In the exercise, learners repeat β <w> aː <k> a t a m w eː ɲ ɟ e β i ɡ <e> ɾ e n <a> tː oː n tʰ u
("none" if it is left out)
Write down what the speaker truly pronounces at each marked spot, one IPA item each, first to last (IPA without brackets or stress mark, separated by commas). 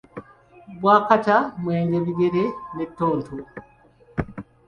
w, k, e, e